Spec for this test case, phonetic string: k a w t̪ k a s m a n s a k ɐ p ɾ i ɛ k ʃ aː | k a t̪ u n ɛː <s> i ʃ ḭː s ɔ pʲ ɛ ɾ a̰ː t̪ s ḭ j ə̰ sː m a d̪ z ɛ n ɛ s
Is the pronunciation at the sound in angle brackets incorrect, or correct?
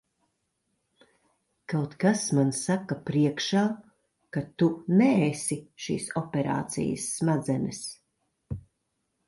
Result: correct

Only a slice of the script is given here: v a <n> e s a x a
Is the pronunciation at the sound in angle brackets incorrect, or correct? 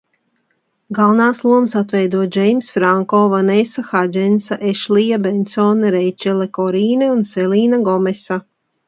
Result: correct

